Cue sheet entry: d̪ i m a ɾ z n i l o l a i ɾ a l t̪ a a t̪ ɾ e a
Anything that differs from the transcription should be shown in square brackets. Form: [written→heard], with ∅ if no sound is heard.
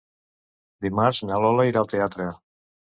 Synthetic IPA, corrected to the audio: d̪ i m a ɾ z n [i→a] l o l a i ɾ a l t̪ [a→e] a t̪ ɾ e a